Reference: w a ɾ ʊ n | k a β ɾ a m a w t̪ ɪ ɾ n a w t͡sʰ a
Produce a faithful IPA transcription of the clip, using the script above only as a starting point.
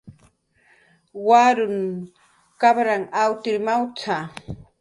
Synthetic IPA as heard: w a ɾ ʊ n | k a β ɾ a ŋ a w t̪ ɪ ɾ m a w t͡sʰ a